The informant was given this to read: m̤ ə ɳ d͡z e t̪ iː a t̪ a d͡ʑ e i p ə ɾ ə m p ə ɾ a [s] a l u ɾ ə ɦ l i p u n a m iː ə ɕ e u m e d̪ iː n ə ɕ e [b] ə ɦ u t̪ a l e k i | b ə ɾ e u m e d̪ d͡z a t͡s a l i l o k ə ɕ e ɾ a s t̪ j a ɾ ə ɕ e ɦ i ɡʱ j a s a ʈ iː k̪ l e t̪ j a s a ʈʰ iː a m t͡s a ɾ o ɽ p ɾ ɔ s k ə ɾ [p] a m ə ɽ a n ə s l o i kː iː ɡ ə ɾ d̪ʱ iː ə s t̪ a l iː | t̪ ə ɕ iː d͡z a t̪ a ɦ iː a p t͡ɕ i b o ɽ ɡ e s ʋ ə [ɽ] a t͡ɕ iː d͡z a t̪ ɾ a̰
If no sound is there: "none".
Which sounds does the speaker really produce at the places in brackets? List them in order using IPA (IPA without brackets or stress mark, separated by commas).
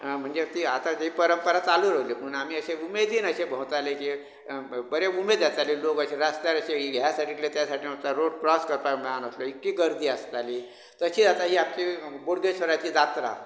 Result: t͡s, b, p, ɾ